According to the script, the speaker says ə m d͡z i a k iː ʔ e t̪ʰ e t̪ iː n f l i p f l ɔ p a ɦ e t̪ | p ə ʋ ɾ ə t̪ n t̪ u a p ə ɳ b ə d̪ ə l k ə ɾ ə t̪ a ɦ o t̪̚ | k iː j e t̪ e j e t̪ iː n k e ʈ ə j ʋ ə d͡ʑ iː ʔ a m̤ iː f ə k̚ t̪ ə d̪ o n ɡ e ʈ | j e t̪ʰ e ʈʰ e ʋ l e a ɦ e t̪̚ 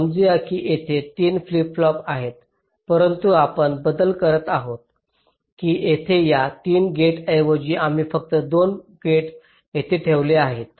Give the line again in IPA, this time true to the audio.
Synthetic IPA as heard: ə m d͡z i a k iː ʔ e t̪ʰ e t̪ iː n f l i p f l ɔ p a ɦ e t̪ | p ə ɾ ə n t̪ u a p ə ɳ b ə d̪ ə l k ə ɾ ə t̪ a ɦ o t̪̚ | k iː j e t̪ʰ e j a t̪ iː n ɡ e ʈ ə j ʋ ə d͡ʑ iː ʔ a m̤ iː f ə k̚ t̪ ə d̪ o n ɡ e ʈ | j e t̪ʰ e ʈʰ e ʋ l e a ɦ e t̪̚